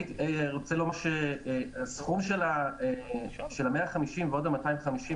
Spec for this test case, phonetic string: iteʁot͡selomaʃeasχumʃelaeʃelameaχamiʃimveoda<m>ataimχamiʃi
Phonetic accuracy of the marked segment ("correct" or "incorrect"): correct